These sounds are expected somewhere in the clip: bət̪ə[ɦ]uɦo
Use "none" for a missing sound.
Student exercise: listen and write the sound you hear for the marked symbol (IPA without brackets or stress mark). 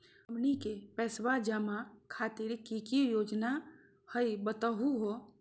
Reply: ɦ